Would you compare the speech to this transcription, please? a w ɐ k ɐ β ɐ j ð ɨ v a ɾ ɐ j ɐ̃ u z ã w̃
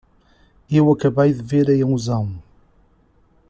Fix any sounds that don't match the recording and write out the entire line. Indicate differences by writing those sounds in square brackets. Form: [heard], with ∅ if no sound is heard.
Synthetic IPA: [e] w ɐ k ɐ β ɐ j ð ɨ v [e] ɾ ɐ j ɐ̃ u z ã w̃

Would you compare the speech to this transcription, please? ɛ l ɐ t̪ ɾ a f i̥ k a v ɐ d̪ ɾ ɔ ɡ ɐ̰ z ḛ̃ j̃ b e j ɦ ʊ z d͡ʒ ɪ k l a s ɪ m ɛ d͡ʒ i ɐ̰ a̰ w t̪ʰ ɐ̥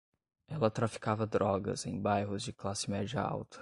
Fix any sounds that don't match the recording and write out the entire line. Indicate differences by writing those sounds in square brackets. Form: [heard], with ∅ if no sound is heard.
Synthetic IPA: ɛ l ɐ t̪ ɾ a f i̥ k a v ɐ d̪ ɾ ɔ ɡ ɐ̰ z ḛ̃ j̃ b [a] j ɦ ʊ z d͡ʒ ɪ k l a s ɪ m ɛ d͡ʒ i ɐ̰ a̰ w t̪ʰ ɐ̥

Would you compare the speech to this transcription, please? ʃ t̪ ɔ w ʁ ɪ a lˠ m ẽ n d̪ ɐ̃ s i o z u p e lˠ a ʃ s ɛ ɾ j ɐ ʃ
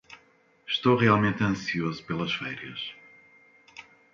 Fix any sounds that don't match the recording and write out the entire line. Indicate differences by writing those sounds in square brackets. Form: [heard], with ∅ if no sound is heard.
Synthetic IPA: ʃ t̪ [o] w ʁ [i] a lˠ m ẽ n [t̪] ɐ̃ s i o z u p e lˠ [ɐ] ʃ [f] ɛ ɾ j ɐ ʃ

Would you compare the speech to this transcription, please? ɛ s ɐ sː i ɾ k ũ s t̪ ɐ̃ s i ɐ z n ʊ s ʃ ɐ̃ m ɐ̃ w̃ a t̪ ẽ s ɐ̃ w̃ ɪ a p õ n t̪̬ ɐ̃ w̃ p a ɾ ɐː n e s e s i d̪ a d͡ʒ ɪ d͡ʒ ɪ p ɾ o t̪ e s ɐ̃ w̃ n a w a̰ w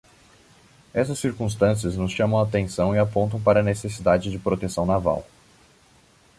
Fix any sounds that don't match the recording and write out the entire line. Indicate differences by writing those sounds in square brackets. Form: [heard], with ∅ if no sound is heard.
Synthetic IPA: ɛ s ɐ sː i ɾ k ũ s t̪ ɐ̃ s i ɐ z n ʊ s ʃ ɐ̃ m ɐ̃ w̃ a t̪ ẽ s ɐ̃ w̃ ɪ a p õ n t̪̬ ɐ̃ w̃ p a ɾ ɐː n e s e s i d̪ a d͡ʒ ɪ d͡ʒ ɪ p ɾ o t̪ e s ɐ̃ w̃ n a [v] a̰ w

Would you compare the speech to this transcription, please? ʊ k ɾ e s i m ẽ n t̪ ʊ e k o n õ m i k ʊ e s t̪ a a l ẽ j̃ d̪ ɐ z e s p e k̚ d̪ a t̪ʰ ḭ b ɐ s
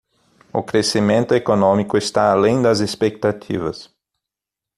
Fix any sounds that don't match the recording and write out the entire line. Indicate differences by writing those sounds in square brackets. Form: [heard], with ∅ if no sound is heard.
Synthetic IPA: ʊ k ɾ e s i m ẽ n t̪ ʊ e k o n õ m i k ʊ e s t̪ a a l ẽ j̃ d̪ ɐ z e s p e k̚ [t̪] a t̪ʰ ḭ [v] ɐ s

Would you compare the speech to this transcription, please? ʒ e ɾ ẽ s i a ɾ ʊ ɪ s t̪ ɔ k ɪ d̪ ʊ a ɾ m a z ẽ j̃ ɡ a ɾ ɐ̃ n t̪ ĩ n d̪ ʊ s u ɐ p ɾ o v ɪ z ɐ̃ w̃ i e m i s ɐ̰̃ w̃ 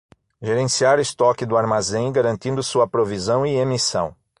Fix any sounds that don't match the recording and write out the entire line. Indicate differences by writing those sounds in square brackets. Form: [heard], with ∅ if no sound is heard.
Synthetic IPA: ʒ e ɾ ẽ s i a ɾ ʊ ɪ s t̪ ɔ k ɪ d̪ ʊ a ɾ m a z ẽ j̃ ɡ a ɾ ɐ̃ n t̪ ĩ n d̪ ʊ s u ɐ p ɾ o v [i] z ɐ̃ w̃ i e m i s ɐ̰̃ w̃

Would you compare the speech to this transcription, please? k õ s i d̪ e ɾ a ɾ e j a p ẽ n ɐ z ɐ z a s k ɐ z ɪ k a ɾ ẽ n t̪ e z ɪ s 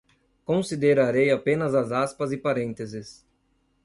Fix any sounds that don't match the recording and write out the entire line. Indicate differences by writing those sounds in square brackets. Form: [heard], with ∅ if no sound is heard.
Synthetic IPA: k õ s i d̪ e ɾ a ɾ e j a p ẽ n ɐ z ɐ z a s [p] ɐ z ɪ [p] a ɾ ẽ n t̪ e z ɪ s

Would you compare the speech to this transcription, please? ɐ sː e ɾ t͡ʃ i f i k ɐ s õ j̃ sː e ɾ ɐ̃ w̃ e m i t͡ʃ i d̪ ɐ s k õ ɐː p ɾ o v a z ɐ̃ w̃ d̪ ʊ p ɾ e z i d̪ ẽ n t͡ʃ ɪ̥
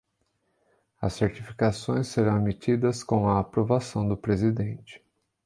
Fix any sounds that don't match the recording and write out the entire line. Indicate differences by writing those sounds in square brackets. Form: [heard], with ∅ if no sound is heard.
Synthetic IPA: ɐ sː e ɾ t͡ʃ i f i k [a] s õ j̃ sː e ɾ ɐ̃ w̃ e m i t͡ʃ i d̪ ɐ s k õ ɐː p ɾ o v a [s] ɐ̃ w̃ d̪ ʊ p ɾ e z i d̪ ẽ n t͡ʃ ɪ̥

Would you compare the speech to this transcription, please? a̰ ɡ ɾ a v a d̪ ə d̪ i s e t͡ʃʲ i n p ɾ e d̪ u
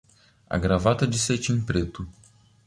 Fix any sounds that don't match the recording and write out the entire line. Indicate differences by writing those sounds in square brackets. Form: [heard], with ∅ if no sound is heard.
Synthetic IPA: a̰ ɡ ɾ a v a [t̪] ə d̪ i s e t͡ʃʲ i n p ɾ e [t̪] u

